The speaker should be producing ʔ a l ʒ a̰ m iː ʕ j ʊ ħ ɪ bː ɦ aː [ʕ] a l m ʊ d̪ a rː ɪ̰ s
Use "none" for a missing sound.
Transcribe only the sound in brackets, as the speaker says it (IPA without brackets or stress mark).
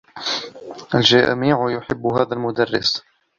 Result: ð